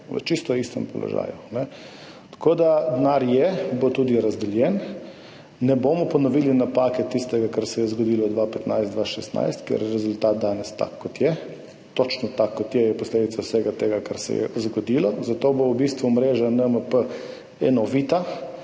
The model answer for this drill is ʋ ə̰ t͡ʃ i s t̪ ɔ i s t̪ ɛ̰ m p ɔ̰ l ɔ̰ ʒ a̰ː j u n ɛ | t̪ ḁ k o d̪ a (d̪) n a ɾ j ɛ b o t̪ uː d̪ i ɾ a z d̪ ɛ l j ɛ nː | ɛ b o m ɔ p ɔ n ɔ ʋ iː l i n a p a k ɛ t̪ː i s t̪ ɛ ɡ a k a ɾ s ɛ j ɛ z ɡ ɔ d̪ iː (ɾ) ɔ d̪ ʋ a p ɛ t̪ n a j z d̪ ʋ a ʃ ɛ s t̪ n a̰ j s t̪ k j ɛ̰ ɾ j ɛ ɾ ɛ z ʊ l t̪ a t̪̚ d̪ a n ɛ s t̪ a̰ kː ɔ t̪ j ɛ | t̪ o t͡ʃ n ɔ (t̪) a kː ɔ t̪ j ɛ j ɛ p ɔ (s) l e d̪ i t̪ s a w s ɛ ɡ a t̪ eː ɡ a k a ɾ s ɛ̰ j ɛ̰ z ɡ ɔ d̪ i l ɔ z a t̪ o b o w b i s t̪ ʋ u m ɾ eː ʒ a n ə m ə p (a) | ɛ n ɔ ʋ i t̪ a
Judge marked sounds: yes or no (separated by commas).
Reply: yes, no, yes, yes, no